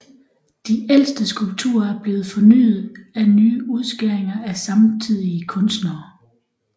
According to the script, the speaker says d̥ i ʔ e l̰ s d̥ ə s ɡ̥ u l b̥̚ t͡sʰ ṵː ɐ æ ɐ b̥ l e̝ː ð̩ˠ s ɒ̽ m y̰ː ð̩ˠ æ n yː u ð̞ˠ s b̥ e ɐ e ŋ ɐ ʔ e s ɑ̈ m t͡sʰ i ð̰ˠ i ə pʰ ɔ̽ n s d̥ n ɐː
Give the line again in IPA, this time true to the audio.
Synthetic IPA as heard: d̥ i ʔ e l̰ s d̥ ə s ɡ̥ u l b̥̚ t͡sʰ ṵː ɐ æ ɐ b̥ l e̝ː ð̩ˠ f ɒ̽ n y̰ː ð̩ˠ æ n yː u ð̞ˠ s ɡ̥ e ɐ e ŋ ɐ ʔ æ s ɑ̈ m t͡sʰ i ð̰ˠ i ə kʰ ɔ̽ n s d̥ n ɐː